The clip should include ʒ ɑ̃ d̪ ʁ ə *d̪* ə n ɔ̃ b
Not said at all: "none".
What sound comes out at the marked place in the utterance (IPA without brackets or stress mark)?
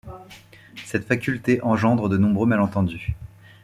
d̪